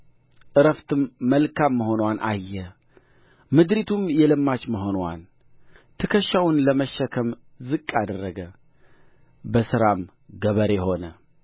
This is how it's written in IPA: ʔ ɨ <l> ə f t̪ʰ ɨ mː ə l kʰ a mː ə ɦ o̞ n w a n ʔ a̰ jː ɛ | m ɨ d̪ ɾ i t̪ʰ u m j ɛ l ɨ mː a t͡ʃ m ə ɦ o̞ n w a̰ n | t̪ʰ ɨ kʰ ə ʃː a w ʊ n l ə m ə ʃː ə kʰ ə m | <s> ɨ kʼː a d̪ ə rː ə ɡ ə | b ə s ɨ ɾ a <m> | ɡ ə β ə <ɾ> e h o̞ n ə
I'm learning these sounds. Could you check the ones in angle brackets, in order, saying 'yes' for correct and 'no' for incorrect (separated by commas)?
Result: no, no, yes, yes